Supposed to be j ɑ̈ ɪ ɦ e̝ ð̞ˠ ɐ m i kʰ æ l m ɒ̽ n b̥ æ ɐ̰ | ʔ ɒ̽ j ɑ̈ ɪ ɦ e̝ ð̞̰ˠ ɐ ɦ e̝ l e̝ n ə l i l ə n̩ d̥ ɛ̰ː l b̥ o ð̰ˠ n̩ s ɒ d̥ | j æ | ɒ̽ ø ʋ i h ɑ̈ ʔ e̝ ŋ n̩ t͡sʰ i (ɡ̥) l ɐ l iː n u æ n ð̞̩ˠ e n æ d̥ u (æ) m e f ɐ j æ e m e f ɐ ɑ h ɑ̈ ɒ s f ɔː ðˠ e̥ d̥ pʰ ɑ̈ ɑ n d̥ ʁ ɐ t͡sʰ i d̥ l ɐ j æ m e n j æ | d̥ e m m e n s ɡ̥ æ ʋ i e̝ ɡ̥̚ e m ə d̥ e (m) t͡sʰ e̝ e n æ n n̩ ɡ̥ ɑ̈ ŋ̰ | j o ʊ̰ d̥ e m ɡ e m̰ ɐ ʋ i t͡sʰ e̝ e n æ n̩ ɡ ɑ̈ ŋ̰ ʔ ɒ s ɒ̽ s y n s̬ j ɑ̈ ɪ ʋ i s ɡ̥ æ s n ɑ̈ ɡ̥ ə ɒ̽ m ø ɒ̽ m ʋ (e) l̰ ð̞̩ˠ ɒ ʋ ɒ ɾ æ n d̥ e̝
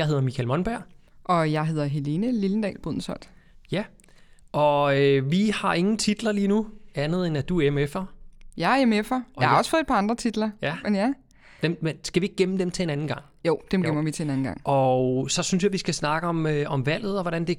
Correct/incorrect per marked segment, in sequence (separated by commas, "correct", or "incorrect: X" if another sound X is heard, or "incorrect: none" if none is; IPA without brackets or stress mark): incorrect: d̥, incorrect: e, correct, incorrect: æ